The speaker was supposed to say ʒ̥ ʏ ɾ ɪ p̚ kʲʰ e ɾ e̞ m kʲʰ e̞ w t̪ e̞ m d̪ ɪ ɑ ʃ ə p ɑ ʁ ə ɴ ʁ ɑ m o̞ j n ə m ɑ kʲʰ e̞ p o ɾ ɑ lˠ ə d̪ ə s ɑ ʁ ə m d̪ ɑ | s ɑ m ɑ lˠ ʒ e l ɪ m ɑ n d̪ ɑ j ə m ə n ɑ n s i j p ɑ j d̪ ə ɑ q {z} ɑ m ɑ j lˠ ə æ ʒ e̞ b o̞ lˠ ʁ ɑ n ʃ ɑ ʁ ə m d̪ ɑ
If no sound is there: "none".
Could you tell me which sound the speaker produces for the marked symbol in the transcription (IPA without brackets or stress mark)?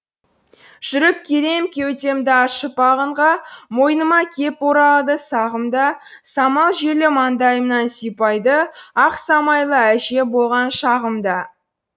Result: s